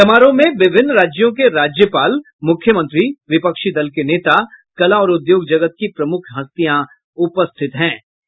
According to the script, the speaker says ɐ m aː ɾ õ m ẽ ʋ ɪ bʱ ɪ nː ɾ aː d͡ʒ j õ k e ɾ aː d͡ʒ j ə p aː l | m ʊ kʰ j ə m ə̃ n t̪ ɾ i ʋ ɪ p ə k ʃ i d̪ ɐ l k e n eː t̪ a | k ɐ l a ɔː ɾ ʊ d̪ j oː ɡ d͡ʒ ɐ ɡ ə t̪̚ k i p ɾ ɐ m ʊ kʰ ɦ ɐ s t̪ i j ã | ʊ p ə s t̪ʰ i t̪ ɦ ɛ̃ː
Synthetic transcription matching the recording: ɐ m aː ɾ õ m ẽ ʋ ɪ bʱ ɪ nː ɾ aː d͡ʒ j õ k e ɾ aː d͡ʒ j ə p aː l | m ʊ kʰ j ə m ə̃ n t̪ ɾ i ʋ ɪ p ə k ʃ i d̪ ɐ l k e n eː t̪ a | k ɐ l a ɔː ɾ ʊ d̪ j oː ɡ d͡ʒ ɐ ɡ ə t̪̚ k i p ɾ ɐ m ʊ kʰ ɦ ɐ s t̪ i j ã | ʊ p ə s t̪ʰ ɪ t̪ ɦ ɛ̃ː